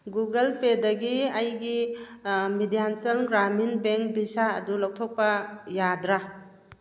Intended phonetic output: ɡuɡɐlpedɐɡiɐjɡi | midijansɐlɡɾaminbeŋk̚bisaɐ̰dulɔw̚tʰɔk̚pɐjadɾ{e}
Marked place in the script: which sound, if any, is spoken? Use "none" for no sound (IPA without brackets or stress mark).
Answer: a